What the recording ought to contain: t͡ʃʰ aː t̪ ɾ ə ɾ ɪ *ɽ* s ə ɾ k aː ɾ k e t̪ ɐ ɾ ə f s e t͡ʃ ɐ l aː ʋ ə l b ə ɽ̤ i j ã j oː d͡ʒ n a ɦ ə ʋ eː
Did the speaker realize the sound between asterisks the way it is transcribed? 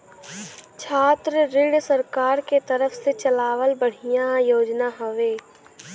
yes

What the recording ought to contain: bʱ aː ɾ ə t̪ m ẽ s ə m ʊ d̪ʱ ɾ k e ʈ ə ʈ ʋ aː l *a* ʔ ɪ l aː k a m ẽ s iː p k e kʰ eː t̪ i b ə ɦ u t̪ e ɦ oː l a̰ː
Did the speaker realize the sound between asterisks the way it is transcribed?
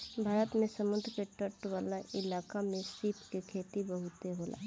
yes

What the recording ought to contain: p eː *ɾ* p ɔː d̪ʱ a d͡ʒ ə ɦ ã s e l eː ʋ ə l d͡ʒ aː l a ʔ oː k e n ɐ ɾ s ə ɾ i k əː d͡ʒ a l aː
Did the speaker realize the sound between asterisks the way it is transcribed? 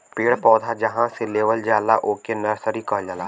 no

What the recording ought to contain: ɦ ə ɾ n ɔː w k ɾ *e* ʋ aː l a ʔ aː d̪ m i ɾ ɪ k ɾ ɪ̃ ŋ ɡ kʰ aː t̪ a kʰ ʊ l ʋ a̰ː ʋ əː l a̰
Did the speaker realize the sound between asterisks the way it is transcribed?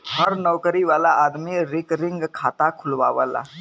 no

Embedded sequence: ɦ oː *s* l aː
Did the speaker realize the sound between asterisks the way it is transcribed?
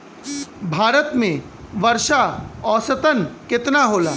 no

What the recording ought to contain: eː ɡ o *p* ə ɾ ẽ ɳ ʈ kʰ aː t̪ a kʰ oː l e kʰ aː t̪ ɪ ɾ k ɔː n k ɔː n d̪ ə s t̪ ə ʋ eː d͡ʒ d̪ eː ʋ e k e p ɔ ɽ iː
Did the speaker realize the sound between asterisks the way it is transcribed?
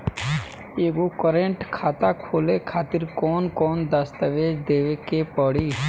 no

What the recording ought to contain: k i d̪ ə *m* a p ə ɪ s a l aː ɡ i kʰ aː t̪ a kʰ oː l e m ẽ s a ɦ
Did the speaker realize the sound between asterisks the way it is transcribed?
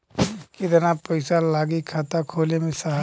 no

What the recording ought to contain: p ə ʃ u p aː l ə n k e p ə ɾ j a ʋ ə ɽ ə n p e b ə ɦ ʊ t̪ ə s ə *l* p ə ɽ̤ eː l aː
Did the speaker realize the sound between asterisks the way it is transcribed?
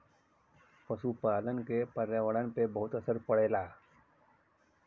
no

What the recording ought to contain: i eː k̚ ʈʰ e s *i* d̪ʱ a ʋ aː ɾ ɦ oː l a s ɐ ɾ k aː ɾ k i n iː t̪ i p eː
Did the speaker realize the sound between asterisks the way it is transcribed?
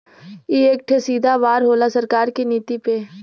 no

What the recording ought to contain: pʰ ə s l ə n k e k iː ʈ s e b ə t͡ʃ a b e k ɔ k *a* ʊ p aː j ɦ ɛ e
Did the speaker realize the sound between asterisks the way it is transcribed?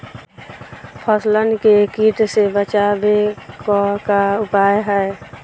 yes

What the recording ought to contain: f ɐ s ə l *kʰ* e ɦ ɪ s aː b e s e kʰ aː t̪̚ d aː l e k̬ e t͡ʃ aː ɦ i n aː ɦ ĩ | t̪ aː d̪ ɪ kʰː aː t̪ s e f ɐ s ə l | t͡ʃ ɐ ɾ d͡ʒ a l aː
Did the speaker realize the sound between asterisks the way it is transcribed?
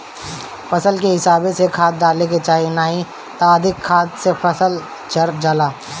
no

